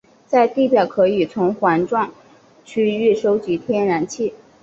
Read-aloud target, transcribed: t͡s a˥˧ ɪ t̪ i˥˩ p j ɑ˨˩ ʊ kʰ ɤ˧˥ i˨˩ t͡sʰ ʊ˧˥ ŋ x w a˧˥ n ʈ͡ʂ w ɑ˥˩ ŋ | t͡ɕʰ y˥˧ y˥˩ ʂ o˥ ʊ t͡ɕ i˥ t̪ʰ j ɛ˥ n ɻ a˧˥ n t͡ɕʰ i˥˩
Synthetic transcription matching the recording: t͡s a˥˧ ɪ t̪ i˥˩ p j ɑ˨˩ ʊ kʰ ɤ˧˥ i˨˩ t͡sʰ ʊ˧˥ ŋ x w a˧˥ n ʈ͡ʂ w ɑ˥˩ ŋ | t͡ɕʰ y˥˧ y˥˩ ʂ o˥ ʊ t͡ɕ i˧˥ t̪ʰ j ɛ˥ n ɻ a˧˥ n t͡ɕʰ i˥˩